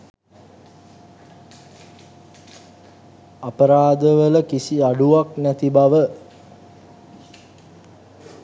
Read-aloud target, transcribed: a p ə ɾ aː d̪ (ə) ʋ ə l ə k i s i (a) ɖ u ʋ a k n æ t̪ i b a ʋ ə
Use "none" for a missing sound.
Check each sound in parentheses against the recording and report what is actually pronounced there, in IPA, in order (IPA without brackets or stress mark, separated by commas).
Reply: ə, a